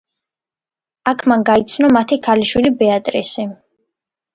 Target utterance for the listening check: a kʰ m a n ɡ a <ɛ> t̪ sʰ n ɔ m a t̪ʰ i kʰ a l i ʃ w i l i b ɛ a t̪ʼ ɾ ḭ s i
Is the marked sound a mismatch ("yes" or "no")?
yes